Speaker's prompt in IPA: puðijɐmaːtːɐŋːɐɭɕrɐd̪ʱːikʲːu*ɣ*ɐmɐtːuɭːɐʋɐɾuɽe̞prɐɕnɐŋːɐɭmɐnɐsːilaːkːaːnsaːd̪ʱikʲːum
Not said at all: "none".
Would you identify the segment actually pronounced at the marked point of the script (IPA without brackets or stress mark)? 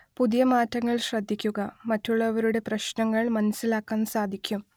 ɣ